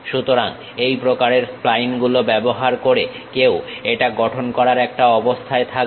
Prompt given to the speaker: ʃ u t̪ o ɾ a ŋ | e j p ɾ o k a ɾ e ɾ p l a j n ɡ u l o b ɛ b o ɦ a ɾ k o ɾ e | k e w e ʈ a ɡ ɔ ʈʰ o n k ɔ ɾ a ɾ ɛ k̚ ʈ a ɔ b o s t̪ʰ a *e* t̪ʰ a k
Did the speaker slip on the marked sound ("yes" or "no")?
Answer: no